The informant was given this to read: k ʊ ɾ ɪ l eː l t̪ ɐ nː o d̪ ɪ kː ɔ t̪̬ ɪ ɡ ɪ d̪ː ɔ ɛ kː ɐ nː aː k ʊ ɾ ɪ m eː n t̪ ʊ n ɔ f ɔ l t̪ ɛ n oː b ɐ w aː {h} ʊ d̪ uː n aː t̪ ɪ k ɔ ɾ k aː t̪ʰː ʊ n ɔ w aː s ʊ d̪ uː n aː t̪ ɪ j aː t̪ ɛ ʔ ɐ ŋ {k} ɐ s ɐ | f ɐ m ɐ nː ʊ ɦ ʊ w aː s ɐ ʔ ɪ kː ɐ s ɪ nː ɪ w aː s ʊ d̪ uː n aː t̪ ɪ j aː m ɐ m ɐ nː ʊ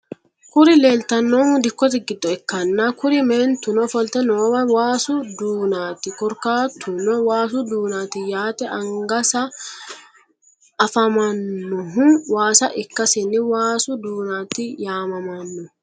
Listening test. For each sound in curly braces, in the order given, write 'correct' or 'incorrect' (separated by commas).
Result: incorrect, incorrect